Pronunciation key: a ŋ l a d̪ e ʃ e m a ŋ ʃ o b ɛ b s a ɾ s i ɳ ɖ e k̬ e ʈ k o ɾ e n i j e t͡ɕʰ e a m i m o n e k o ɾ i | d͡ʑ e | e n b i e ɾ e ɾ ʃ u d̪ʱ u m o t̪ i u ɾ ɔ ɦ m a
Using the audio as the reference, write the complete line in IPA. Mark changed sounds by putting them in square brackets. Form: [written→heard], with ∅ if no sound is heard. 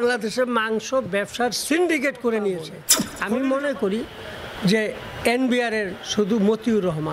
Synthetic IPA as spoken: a ŋ l a d̪ e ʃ e m a ŋ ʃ o b ɛ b [s→ʃ] a ɾ s i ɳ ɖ [e→i] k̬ e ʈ k o ɾ e n i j e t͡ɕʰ e a m i m o n e k o ɾ i | d͡ʑ e | e n b i [e→a] ɾ e ɾ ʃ u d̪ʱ u m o t̪ i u ɾ ɔ ɦ m a